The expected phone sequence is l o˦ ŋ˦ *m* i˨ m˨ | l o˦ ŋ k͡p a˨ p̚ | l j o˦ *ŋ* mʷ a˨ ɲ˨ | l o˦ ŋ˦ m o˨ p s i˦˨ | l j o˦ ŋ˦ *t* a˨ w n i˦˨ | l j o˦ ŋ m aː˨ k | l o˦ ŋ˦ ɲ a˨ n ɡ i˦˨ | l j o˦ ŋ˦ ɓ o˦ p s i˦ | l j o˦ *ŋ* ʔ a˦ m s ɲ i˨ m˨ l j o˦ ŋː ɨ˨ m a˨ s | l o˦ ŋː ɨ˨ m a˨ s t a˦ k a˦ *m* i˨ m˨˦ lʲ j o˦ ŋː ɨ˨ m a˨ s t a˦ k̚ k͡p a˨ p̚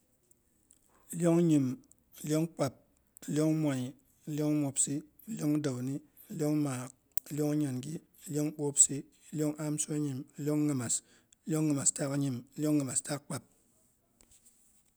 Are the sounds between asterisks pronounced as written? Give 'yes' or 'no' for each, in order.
no, yes, no, yes, no

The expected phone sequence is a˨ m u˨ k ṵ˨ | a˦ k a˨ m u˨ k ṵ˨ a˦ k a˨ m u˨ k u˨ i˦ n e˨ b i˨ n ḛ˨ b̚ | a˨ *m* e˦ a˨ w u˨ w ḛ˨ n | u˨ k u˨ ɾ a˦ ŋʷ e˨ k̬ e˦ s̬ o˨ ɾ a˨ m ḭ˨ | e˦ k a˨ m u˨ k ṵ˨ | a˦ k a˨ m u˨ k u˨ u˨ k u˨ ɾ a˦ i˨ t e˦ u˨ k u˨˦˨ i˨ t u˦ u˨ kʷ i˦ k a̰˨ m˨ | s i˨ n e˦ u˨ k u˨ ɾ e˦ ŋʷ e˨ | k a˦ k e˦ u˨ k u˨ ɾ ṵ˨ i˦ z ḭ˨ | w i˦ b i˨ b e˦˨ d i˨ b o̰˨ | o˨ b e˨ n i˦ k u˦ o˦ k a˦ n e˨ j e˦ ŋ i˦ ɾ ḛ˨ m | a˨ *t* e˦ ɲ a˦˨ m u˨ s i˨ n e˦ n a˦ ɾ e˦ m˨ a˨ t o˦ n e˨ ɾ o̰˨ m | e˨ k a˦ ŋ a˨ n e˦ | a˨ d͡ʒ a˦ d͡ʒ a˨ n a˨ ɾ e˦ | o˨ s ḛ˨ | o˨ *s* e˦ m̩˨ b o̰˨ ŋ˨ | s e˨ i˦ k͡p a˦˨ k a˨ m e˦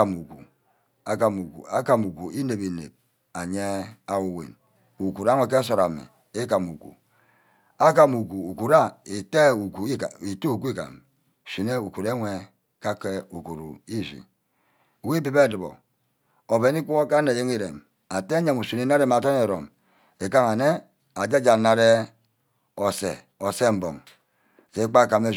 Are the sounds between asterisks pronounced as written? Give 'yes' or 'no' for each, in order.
no, yes, yes

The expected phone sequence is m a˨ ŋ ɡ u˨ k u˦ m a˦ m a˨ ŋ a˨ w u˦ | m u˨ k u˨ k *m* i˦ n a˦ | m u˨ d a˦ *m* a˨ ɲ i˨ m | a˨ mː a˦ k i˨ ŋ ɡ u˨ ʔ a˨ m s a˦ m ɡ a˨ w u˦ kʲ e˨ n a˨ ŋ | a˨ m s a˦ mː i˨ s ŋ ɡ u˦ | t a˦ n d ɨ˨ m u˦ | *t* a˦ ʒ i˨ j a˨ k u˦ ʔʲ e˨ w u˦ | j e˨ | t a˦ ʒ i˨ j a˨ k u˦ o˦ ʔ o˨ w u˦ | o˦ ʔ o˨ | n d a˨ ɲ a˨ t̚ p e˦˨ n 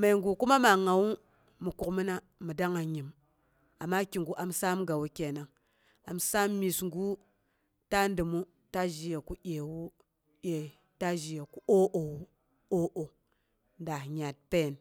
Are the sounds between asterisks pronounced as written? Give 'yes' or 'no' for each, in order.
yes, no, yes

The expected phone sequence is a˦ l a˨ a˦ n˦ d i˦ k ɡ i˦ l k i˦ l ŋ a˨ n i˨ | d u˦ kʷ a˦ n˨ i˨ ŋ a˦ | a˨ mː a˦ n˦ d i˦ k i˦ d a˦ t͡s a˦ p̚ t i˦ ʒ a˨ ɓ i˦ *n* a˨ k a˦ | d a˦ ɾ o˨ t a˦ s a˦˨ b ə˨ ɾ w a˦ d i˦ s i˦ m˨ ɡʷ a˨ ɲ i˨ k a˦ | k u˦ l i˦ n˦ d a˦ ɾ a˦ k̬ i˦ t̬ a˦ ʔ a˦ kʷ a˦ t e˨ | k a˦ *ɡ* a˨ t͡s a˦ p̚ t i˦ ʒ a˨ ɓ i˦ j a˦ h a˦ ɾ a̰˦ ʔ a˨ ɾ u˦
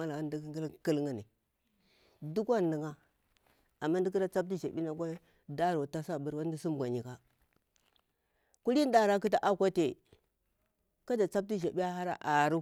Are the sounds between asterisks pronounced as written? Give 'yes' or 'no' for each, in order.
yes, no

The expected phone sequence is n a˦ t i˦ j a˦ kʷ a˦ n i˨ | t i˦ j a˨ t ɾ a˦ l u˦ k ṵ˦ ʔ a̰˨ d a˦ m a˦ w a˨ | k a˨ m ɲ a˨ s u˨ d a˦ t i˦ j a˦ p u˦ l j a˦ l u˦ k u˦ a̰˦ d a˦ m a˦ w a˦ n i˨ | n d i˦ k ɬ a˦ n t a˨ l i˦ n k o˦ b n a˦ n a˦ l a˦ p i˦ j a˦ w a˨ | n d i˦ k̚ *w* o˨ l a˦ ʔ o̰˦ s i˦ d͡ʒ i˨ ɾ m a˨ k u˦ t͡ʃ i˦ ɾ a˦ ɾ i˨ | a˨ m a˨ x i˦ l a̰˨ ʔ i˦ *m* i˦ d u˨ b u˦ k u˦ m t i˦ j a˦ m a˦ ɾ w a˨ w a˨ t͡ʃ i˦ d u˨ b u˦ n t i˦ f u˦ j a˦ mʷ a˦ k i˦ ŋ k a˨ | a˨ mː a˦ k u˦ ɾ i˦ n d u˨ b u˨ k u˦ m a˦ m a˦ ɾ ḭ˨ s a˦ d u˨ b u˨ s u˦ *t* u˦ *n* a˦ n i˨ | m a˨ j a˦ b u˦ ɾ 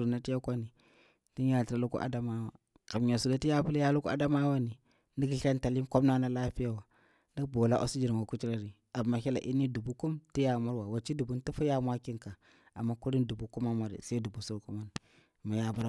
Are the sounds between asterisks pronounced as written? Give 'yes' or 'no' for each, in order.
no, no, no, no

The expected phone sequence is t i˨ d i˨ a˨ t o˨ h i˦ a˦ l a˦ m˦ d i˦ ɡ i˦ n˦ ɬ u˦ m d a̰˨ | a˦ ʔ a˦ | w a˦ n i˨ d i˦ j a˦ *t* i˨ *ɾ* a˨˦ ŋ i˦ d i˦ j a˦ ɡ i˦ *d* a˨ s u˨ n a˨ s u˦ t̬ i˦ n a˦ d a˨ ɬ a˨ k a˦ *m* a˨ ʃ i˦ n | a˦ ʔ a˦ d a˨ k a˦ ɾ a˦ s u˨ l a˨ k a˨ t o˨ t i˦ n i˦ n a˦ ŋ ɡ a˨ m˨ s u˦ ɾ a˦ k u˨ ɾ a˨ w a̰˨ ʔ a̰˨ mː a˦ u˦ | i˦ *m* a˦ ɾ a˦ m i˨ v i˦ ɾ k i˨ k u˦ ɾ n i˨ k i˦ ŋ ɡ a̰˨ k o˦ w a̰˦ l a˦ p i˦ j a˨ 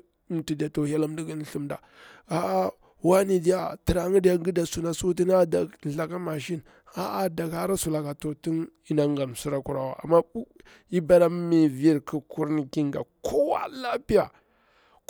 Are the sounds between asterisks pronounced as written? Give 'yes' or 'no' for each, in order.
yes, yes, yes, yes, no

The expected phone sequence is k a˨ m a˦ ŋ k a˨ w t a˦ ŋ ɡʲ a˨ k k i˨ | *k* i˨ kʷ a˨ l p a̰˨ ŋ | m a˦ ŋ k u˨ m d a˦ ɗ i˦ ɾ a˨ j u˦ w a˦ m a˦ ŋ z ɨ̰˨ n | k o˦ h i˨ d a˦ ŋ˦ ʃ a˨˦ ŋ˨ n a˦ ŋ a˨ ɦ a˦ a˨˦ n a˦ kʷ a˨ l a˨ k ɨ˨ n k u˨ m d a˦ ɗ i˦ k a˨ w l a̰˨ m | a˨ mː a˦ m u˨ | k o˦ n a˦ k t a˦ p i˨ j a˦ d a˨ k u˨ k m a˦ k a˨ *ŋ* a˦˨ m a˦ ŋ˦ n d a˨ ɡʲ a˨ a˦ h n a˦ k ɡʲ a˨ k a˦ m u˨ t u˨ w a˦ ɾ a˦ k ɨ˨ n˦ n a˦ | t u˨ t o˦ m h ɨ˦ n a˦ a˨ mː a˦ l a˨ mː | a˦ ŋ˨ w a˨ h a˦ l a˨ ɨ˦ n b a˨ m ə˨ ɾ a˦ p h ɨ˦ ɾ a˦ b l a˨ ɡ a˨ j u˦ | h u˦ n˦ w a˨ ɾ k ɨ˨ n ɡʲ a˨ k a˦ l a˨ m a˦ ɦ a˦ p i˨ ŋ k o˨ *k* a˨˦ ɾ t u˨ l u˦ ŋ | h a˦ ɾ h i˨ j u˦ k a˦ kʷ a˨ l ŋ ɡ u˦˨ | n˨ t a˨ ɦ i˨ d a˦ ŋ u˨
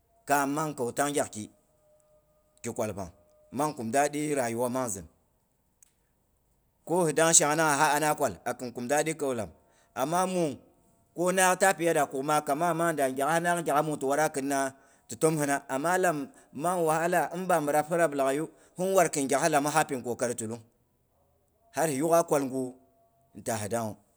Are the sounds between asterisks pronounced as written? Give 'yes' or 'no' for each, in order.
yes, no, yes

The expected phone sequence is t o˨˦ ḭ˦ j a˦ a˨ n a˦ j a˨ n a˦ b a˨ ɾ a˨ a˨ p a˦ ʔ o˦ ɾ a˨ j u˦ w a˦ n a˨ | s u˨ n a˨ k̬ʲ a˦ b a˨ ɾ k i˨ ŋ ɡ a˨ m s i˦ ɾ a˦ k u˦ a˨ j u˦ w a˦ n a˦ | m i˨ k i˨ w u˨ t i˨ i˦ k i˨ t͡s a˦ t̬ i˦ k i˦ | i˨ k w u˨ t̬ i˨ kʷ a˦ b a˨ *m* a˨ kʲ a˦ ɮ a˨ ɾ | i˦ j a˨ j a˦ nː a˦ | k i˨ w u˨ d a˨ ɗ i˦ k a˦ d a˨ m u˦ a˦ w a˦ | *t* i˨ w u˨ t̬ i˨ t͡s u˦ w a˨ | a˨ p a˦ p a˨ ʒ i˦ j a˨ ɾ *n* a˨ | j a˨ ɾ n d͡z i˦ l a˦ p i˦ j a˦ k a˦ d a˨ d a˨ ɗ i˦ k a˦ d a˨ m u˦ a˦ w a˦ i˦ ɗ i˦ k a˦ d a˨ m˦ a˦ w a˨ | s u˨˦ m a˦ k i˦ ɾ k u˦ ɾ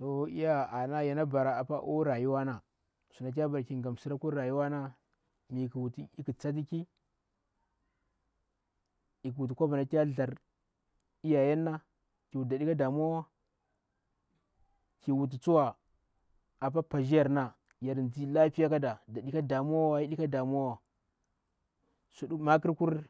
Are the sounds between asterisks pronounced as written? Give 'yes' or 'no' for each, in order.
no, no, yes

